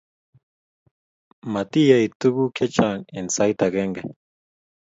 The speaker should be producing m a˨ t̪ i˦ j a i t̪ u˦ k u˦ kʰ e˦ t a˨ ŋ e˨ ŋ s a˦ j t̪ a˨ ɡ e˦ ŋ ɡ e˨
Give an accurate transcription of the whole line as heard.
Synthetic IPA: m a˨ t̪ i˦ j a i t̪ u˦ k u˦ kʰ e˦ t͡ʃ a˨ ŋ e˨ n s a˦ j t̪ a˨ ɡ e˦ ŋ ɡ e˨